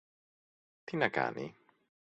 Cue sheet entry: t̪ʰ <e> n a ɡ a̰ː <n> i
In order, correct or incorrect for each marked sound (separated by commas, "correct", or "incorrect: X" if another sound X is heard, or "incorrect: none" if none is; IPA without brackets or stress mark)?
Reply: incorrect: i, correct